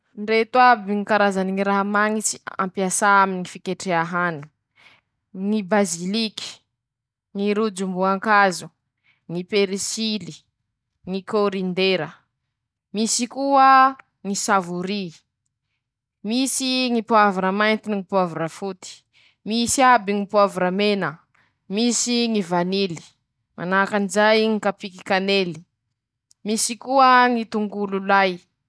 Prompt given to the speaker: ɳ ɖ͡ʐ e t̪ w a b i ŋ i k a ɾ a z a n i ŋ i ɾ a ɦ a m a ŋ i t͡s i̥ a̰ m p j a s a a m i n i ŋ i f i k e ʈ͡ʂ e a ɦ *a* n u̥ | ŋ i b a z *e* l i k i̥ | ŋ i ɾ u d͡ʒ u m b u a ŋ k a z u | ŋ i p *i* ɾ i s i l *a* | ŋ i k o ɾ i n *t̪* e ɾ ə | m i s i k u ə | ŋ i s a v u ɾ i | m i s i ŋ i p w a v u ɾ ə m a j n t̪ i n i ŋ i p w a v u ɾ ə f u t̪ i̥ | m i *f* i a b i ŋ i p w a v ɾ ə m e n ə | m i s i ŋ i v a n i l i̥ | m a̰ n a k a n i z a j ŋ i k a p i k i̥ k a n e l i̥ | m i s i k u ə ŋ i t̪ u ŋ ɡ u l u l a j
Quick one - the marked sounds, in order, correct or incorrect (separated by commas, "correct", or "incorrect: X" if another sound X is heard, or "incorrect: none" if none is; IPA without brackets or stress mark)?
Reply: correct, incorrect: i, incorrect: e, incorrect: i, incorrect: d̪, incorrect: s